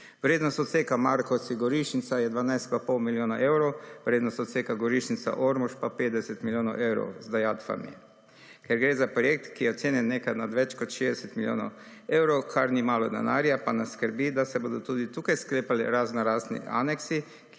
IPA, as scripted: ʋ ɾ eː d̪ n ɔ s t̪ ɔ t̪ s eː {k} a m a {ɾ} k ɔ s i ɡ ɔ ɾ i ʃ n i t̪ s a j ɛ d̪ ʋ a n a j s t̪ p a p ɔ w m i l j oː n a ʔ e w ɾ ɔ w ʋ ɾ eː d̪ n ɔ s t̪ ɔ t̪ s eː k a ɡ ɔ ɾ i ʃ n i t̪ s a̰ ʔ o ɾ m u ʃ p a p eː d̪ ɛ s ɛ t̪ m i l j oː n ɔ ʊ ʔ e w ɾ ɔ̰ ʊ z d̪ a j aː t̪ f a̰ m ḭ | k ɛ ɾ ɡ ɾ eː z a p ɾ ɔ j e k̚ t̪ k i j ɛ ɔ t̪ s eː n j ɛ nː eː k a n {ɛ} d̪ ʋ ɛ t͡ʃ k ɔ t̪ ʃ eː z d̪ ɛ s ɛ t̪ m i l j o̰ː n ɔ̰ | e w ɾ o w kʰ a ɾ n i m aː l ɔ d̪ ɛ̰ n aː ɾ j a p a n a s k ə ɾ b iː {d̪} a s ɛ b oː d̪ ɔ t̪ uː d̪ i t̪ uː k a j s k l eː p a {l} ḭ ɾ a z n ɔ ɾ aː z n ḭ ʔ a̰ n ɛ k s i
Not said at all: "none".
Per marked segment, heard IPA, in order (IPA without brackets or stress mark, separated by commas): k, ɾ, a, d̪, l